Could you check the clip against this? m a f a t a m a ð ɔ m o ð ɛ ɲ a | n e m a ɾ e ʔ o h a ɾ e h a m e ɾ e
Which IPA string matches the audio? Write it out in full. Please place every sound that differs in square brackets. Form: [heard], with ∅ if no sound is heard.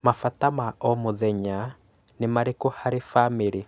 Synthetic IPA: m a f a t a m a [∅] ɔ m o ð ɛ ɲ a | n e m a ɾ e [k] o h a ɾ e [f] a m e ɾ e